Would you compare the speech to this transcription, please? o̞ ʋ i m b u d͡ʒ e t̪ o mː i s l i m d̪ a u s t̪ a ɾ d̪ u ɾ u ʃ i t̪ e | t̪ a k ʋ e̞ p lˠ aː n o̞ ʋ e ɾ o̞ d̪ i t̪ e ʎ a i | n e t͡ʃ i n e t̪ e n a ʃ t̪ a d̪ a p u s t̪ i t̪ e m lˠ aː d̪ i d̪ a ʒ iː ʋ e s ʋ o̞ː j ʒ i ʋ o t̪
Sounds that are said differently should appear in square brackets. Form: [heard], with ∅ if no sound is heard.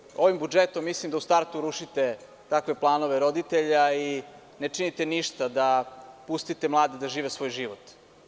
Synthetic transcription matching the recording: o̞ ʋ i m b u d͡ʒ e t̪ o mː i s l i m d̪ a u s t̪ a ɾ [t̪] u ɾ u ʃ i t̪ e | t̪ a k ʋ e̞ p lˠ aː n o̞ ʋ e ɾ o̞ d̪ i t̪ e ʎ a i | n e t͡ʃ i n [i] t̪ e n [i] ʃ t̪ a d̪ a p u s t̪ i t̪ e m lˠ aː d̪ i d̪ a ʒ iː ʋ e s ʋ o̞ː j ʒ i ʋ o t̪